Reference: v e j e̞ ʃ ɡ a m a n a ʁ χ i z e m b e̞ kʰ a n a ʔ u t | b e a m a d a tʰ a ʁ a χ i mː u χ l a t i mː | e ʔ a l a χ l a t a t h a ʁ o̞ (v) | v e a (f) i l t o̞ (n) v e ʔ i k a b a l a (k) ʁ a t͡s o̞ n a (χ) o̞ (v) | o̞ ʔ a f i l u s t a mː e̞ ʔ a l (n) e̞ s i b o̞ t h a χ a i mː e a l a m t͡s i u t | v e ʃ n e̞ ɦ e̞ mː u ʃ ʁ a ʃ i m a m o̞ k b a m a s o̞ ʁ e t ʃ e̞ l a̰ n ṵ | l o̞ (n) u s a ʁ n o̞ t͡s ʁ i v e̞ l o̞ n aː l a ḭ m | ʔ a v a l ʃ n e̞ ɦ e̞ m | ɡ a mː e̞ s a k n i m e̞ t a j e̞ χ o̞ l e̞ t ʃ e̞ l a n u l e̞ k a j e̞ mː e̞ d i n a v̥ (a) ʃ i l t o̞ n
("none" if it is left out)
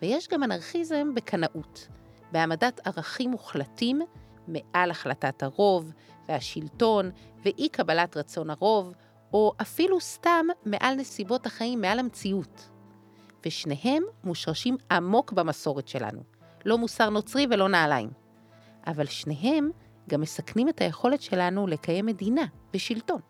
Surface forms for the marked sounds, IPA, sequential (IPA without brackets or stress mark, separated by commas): v, ʃ, n, t, ʁ, v, n, m, e